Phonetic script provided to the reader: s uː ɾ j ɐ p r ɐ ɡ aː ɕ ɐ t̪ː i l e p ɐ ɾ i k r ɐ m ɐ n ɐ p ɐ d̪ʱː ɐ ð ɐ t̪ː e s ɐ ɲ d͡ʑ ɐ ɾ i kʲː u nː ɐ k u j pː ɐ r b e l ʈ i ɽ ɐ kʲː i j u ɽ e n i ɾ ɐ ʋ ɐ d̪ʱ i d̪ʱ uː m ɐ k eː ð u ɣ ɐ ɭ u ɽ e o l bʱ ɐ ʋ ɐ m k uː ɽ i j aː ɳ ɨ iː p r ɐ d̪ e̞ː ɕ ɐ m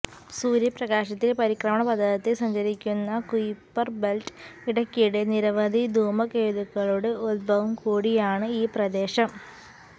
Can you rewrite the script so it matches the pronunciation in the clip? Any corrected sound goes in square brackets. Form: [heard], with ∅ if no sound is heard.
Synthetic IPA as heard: s uː ɾ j ɐ p r ɐ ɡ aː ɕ ɐ t̪ː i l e p ɐ ɾ i k r ɐ m ɐ [ɳ] ɐ p ɐ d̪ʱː ɐ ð ɐ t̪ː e s ɐ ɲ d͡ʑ ɐ ɾ i kʲː u nː ɐ k u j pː ɐ r b e l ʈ i ɽ ɐ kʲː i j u ɽ e n i ɾ ɐ ʋ ɐ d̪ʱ i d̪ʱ uː m ɐ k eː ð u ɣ ɐ ɭ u ɽ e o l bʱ ɐ ʋ ɐ m k uː ɽ i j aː ɳ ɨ iː p r ɐ d̪ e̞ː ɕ ɐ m